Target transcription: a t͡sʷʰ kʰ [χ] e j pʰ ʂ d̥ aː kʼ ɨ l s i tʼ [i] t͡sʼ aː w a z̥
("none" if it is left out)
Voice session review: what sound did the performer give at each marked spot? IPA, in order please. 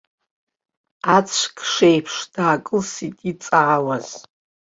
ʂ, i

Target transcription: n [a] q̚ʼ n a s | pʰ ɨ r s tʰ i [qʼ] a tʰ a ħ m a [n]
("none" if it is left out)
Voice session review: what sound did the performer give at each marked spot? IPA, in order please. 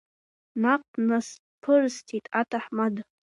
a, tʼ, d

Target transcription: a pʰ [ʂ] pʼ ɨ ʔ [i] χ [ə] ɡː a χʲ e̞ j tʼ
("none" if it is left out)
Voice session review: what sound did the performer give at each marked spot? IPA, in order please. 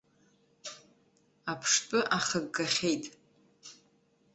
ʂ, a, ə

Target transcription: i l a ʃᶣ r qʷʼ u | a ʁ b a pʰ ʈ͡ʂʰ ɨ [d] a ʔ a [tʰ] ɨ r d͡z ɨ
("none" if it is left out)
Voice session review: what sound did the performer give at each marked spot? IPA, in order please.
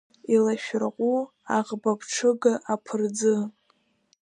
ɡ, pʰ

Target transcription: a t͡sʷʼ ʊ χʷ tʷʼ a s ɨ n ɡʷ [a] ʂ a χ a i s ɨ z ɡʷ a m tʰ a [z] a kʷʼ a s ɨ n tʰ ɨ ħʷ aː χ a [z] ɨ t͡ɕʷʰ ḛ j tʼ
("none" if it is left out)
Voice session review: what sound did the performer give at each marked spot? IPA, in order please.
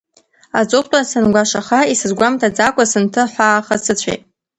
a, d͡z, s

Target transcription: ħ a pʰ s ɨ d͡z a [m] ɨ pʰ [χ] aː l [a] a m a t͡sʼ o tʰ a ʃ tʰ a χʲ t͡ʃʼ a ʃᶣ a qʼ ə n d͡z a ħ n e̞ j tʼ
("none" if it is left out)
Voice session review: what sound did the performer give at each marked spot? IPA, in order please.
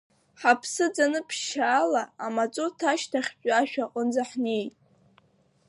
n, ʃ, a

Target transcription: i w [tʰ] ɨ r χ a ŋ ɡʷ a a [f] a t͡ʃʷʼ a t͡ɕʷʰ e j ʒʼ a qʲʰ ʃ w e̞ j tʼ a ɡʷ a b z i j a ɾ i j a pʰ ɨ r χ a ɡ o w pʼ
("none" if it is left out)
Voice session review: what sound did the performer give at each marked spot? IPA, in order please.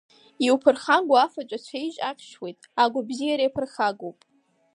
pʰ, f

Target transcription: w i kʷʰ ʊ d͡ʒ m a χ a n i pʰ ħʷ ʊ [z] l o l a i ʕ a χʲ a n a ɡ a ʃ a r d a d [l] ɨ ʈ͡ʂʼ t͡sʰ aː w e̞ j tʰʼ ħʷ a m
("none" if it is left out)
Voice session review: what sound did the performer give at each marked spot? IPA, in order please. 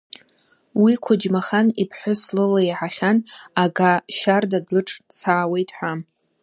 s, l

